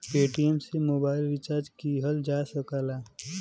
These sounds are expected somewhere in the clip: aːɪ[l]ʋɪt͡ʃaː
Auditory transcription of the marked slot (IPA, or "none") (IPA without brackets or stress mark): l